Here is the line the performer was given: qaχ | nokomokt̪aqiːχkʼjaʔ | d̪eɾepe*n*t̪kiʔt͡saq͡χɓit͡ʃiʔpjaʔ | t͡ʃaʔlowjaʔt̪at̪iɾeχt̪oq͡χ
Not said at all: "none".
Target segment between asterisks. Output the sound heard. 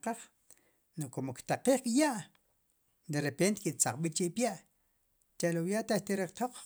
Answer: n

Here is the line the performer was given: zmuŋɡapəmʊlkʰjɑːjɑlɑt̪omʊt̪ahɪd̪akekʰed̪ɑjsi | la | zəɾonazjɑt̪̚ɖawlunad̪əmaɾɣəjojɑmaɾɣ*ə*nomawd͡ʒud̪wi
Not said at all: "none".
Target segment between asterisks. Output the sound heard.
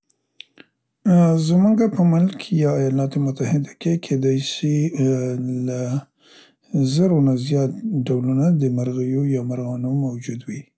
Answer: ɑ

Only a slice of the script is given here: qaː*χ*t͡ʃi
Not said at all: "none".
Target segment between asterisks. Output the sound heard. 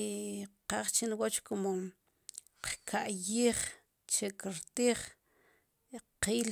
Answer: χ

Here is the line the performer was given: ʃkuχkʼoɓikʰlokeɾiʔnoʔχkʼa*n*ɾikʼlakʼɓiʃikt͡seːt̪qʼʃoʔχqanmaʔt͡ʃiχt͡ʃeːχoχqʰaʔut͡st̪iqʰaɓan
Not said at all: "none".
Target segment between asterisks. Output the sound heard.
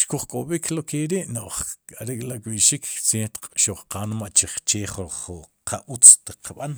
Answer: none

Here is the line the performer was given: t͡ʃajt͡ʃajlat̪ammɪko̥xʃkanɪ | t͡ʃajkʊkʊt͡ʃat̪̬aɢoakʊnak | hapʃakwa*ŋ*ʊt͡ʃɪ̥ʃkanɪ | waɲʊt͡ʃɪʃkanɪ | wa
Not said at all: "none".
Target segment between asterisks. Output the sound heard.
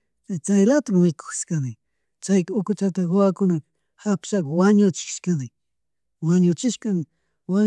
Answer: ɲ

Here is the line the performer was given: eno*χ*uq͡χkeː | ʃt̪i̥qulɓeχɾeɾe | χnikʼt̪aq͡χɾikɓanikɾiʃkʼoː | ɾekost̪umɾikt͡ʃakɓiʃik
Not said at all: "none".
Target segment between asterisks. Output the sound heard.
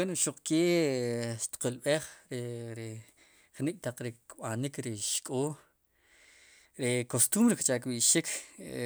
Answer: ʃ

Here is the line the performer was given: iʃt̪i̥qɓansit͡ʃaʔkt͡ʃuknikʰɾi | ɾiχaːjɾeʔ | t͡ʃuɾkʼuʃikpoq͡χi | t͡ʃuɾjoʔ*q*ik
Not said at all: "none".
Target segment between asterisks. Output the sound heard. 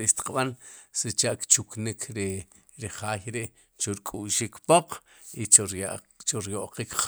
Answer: q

